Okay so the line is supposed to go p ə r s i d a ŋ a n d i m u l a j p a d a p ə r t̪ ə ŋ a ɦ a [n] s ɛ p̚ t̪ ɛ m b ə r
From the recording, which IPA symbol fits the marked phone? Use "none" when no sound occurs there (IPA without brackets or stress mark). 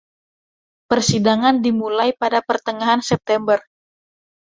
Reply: n